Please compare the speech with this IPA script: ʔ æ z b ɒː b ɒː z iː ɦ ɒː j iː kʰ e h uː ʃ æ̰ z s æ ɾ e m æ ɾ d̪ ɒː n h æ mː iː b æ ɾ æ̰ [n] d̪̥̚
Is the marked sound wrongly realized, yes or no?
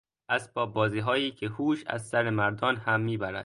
yes